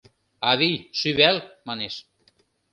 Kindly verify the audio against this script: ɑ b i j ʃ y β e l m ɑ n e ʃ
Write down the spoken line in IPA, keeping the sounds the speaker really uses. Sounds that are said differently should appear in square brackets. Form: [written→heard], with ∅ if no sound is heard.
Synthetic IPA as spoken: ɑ [b→β] i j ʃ y β [e→æ] l m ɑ n e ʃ